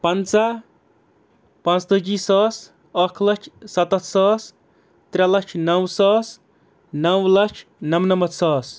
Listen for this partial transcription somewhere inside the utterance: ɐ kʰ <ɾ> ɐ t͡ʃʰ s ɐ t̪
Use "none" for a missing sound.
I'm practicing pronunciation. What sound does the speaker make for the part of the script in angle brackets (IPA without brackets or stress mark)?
l